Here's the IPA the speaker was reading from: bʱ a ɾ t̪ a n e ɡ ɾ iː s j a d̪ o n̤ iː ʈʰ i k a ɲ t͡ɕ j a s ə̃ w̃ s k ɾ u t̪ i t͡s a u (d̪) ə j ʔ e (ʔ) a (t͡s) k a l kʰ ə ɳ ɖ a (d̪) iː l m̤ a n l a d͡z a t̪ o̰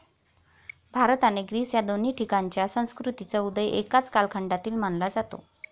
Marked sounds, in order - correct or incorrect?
correct, incorrect: k, correct, incorrect: t̪

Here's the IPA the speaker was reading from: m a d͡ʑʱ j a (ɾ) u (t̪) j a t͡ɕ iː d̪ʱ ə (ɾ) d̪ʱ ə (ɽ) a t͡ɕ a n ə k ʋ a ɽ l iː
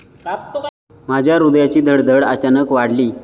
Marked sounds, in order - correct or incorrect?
correct, incorrect: d̪, incorrect: ɽ, correct

